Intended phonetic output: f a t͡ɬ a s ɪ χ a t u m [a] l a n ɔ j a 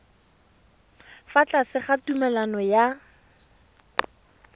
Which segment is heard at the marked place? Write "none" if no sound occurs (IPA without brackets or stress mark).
ɛ